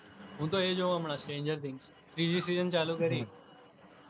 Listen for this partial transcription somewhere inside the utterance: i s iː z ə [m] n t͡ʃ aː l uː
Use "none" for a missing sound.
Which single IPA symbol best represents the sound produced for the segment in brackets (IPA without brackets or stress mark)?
none